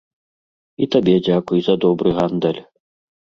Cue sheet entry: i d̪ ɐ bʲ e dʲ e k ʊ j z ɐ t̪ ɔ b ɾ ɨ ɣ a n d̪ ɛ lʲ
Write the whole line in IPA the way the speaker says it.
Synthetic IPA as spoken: i t̪ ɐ bʲ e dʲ a k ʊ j z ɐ d̪ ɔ b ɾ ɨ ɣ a n d̪ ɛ lʲ